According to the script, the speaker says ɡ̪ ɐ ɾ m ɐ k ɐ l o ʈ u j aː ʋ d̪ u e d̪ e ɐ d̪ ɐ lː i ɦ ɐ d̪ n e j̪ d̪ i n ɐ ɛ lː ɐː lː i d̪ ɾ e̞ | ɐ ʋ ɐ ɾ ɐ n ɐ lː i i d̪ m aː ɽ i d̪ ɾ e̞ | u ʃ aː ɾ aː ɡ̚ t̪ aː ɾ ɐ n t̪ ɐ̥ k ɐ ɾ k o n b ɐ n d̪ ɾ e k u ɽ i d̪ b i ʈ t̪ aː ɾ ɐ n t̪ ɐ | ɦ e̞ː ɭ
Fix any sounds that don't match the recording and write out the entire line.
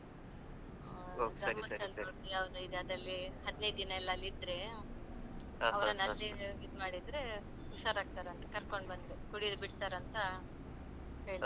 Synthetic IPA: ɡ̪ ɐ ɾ m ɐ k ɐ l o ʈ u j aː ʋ d̪ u i d̪ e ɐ d̪ ɐ lː i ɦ ɐ d̪ n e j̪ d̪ i n ɐ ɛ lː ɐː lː i d̪ ɾ e̞ | ɐ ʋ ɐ ɾ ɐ n ɐ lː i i d̪ m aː ɽ i d̪ ɾ e̞ | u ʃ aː ɾ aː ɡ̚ t̪ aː ɾ ɐ n t̪ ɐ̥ k ɐ ɾ k o ɳ b ɐ n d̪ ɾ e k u ɽ i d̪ b i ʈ t̪ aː ɾ ɐ n t̪ ɐ | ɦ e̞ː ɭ

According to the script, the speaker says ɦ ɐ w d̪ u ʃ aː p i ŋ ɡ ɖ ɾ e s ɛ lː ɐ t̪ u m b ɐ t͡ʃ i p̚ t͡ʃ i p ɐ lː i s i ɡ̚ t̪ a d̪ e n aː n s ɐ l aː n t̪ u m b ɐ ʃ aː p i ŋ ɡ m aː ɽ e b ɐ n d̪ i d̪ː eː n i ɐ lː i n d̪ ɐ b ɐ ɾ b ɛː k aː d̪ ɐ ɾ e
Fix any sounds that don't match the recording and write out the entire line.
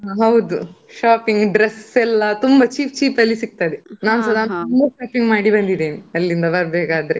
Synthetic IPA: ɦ ɐ w d̪ u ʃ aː p i ŋ ɡ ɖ ɾ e s ɛ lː ɐ t̪ u m b ɐ t͡ʃ iː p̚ t͡ʃ iː p ɐ lː i s i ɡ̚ t̪ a d̪ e n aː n s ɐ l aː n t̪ u m b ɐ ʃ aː p i ŋ ɡ m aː ɽ i b ɐ n d̪ i d̪ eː n i ɐ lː i n d̪ ɐ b ɐ ɾ b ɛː k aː d̪ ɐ ɾ e

